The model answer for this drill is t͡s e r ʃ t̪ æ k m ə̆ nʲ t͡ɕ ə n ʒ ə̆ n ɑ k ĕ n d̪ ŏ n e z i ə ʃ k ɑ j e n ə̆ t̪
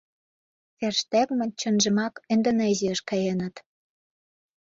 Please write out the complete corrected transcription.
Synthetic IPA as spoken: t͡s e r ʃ t̪ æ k m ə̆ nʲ t͡ɕ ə n ʒ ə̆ m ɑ k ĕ n d̪ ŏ n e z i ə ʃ k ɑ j e n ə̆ t̪